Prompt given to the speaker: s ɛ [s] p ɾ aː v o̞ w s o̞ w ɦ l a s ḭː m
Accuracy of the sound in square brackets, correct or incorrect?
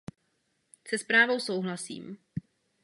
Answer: correct